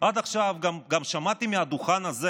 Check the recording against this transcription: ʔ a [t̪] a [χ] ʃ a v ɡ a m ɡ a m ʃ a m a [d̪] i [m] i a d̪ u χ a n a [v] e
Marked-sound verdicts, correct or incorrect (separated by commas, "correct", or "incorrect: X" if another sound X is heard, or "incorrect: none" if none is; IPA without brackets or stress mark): incorrect: d̪, correct, incorrect: t̪, correct, incorrect: z